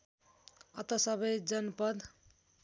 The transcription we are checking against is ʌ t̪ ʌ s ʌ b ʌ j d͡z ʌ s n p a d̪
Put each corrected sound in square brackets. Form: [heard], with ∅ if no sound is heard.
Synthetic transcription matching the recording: ʌ t̪ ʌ s ʌ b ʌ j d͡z ʌ [∅] n p [ʌ] d̪